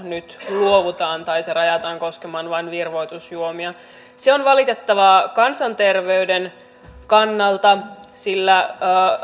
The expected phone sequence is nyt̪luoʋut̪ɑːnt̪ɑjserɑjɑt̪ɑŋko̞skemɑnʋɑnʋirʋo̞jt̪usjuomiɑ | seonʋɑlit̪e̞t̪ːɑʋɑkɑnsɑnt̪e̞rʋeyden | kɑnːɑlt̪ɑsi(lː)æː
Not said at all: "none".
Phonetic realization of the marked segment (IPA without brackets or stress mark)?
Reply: lː